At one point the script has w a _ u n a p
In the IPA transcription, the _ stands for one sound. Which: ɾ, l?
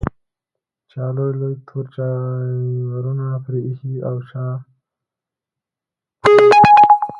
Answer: ɾ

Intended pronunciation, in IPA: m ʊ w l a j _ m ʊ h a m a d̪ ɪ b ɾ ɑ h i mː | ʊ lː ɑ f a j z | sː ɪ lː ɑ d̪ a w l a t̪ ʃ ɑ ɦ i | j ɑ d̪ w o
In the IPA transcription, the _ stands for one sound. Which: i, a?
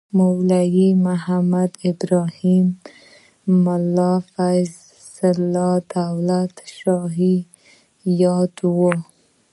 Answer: i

